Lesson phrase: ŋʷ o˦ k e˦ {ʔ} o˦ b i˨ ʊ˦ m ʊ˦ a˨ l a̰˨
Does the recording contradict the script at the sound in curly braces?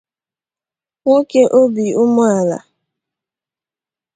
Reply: no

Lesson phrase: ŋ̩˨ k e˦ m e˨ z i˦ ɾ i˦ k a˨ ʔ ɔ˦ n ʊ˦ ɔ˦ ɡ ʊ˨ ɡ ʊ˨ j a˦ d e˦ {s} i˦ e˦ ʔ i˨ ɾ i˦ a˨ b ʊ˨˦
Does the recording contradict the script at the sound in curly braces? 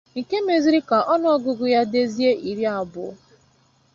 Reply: yes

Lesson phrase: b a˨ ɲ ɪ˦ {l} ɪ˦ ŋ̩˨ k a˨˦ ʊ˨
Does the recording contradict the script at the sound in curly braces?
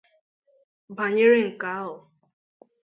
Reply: yes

